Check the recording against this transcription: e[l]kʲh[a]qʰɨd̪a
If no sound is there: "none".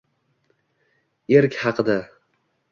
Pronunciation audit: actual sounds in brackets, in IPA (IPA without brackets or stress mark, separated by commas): ɾ, ɑ